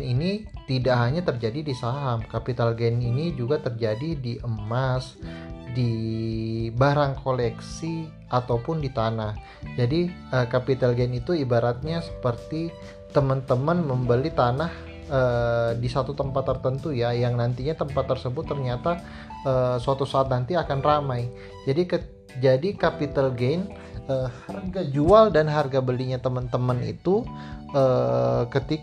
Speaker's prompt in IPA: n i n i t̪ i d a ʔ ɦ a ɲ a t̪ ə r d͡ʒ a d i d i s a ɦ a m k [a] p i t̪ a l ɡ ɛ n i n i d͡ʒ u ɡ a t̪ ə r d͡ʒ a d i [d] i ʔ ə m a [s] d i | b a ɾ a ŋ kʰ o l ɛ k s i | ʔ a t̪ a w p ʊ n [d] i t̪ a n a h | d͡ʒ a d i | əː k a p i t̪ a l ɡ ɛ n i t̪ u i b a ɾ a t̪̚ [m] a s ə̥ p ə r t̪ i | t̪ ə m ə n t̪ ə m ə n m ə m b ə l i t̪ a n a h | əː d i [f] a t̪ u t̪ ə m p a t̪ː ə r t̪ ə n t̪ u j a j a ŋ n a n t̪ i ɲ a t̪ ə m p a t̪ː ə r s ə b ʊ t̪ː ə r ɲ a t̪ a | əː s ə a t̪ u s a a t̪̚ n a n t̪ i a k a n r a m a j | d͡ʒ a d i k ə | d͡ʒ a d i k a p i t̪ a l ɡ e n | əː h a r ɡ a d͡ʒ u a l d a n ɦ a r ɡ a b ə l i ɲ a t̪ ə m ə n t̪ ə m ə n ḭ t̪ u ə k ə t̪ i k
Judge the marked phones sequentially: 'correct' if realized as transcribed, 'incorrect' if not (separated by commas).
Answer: correct, correct, correct, correct, incorrect, incorrect